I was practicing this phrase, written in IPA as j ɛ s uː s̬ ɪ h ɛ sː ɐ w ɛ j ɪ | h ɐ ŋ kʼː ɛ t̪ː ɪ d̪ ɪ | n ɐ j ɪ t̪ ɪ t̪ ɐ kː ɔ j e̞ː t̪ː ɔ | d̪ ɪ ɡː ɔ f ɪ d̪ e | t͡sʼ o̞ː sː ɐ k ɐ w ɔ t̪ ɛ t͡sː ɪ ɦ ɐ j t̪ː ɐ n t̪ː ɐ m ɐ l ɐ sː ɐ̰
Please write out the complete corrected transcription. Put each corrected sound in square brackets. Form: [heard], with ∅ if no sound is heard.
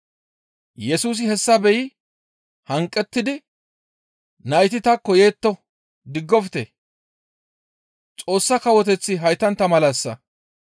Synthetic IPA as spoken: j ɛ s uː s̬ ɪ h ɛ sː ɐ [b] ɛ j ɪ | h ɐ ŋ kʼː ɛ t̪ː ɪ d̪ ɪ | n ɐ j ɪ t̪ ɪ t̪ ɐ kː ɔ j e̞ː t̪ː ɔ | d̪ ɪ ɡː ɔ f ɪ [t̪] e | t͡sʼ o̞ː sː ɐ k ɐ w ɔ t̪ ɛ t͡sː ɪ ɦ ɐ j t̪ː ɐ n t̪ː ɐ m ɐ l ɐ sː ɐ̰